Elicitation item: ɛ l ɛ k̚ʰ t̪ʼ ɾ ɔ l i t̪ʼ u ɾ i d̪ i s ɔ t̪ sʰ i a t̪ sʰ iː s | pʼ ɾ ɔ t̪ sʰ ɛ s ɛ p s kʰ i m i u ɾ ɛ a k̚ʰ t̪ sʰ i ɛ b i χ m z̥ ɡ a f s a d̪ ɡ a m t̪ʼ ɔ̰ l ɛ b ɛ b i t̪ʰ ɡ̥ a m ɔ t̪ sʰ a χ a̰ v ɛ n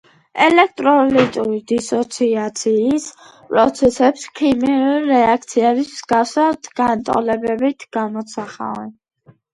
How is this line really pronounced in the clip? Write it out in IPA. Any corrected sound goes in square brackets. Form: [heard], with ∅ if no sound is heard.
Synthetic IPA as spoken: ɛ l ɛ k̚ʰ t̪ʼ ɾ ɔ l i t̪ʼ u ɾ i d̪ i s ɔ t̪ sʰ i a t̪ sʰ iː s | pʼ ɾ ɔ t̪ sʰ ɛ s ɛ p s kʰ i m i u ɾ ɛ a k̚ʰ t̪ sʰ i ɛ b i [s] m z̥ ɡ a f s a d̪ ɡ a [n] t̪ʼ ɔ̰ l ɛ b ɛ b i t̪ʰ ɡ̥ a m ɔ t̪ sʰ a χ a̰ v ɛ n